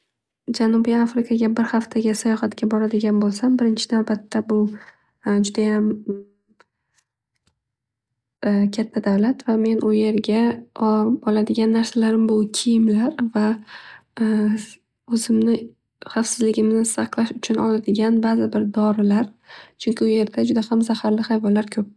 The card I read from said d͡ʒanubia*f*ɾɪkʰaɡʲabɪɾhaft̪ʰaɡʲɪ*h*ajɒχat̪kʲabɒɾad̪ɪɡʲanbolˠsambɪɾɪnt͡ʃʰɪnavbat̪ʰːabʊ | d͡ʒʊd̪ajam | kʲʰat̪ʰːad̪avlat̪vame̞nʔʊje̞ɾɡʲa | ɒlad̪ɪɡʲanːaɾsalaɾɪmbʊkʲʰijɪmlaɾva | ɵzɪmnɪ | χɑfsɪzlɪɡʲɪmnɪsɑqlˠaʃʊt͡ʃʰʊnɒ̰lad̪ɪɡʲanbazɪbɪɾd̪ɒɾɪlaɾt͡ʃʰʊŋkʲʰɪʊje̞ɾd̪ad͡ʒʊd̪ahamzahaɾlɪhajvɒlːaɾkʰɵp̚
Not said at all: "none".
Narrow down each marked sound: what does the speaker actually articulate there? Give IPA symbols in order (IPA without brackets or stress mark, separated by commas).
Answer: f, s